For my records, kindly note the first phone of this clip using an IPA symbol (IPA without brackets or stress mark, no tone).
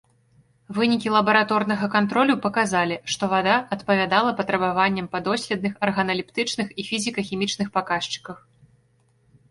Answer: v